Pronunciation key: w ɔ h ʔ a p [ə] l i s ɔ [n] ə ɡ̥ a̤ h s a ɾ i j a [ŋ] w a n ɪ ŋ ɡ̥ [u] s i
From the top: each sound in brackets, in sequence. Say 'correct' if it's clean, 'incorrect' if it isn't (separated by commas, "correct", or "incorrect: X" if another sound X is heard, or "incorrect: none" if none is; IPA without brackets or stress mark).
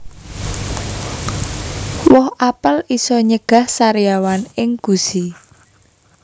correct, incorrect: ɲ, incorrect: none, correct